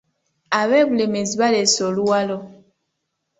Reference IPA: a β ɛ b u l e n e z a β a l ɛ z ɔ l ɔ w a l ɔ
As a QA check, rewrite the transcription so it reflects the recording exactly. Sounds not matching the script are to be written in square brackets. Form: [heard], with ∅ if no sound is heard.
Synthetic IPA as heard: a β ɛ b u l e [m] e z [i] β a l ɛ [s] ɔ l [u] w a l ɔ